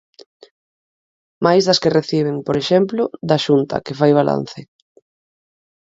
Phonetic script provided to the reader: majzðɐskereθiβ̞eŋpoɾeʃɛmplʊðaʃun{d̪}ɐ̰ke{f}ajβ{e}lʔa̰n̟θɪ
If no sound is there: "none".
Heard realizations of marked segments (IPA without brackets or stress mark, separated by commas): t̪, f, a